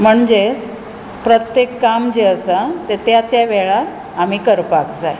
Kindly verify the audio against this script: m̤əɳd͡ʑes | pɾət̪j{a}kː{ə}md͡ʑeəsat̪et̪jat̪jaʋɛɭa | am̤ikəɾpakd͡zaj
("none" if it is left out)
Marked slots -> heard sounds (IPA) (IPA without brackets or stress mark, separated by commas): e, a